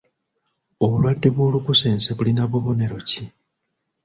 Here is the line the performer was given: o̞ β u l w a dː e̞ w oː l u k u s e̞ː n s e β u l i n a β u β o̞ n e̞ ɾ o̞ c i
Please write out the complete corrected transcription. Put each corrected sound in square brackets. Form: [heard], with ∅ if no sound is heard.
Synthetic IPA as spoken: o̞ β u l w a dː e̞ [β] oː l u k u s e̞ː n s e β u l i n a β u β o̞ n e̞ ɾ o̞ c i

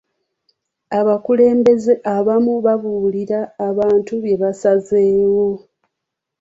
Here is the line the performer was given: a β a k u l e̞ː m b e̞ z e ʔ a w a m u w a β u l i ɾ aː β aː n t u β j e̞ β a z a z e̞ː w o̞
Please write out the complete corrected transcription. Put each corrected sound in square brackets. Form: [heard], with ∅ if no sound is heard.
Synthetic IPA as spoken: a β a k u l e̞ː m b e̞ z e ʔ a [β] a m u [β] a β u l i ɾ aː β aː n t u β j e̞ β a [s] a z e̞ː w o̞

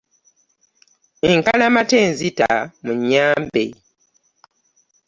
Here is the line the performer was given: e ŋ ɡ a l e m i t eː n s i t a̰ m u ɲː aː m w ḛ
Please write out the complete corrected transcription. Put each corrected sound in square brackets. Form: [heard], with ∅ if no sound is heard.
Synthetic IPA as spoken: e ŋ [k] a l [a] m [a] t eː n [z] i t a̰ m u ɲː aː m [b] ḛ

